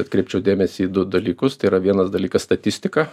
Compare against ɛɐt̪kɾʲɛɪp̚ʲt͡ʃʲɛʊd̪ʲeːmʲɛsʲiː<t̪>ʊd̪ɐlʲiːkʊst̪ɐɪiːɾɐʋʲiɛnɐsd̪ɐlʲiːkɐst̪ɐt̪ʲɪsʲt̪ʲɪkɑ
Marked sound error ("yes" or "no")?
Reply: yes